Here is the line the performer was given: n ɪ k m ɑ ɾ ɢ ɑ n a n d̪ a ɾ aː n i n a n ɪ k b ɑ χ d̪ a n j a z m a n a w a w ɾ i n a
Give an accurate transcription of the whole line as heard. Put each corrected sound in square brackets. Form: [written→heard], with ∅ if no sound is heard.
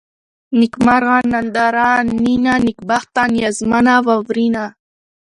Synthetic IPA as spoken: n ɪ k m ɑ ɾ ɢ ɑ n a n d̪ a ɾ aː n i n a n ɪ k b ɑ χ [d̪→t̪] a n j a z m a n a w a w ɾ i n a

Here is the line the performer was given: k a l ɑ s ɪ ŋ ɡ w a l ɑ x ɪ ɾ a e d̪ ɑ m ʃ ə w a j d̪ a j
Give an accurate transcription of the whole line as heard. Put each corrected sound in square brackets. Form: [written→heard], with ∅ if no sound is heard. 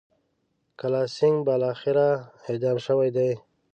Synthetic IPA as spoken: k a l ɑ s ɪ ŋ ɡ [w→b] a l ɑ x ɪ ɾ a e d̪ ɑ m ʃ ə w a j d̪ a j

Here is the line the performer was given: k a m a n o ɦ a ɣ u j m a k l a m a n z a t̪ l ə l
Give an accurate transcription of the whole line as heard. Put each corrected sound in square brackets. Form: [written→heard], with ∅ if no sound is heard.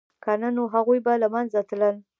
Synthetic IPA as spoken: k a [m→n] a n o ɦ a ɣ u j [m→b] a [k→∅] l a m a n z a t̪ l ə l

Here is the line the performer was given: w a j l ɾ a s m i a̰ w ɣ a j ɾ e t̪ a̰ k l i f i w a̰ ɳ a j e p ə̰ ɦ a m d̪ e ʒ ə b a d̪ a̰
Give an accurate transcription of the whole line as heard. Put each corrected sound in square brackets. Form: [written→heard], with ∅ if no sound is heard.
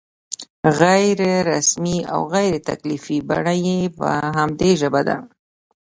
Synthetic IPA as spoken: [w→ɣ] a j [l→ɾ] ɾ a s m i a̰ w ɣ a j ɾ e t̪ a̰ k l i f i [w→b] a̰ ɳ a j e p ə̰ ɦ a m d̪ e ʒ ə b a d̪ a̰

